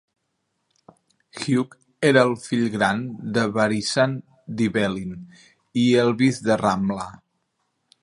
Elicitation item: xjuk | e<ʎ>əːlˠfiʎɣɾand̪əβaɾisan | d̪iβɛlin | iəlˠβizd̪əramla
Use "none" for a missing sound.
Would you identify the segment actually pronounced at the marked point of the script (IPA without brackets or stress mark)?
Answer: ɾ